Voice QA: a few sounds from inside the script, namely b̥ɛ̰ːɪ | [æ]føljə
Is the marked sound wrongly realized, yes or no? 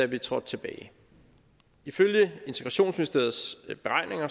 yes